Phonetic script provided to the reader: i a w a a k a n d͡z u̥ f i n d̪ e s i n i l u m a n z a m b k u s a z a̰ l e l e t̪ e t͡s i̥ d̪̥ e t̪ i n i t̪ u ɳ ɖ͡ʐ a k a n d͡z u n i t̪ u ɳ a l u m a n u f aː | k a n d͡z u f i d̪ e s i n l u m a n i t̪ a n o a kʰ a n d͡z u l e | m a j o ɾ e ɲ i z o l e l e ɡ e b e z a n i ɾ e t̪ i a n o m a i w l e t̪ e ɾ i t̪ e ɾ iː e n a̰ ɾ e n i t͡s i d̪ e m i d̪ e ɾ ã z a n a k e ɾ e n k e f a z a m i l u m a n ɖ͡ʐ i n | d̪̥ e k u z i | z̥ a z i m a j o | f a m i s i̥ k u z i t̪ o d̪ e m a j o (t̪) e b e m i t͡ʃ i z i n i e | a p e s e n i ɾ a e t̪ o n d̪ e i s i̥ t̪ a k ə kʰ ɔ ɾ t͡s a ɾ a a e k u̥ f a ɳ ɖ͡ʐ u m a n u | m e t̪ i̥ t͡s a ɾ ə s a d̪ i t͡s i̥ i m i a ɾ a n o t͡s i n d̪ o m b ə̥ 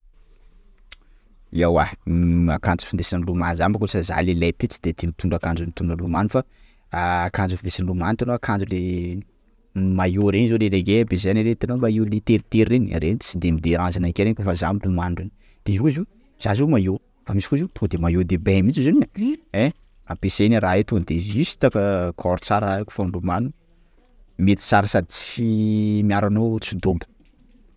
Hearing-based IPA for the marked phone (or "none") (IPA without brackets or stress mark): d̪